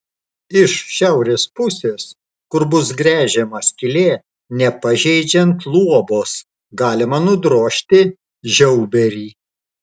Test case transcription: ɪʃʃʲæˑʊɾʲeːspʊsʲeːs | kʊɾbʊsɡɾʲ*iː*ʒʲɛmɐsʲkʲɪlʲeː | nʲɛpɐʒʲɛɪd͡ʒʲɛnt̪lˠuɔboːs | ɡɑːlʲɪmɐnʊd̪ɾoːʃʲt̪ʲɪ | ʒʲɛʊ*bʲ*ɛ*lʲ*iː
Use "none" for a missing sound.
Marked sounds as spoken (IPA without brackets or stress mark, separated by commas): æː, bʲ, ɾʲ